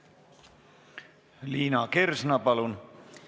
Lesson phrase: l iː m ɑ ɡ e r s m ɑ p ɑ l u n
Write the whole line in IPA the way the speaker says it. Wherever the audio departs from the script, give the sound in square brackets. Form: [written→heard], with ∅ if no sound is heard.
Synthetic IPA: l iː [m→n] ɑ [ɡ→k] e r s [m→n] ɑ p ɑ l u n